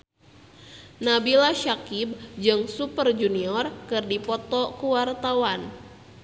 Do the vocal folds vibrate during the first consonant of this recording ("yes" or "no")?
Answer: yes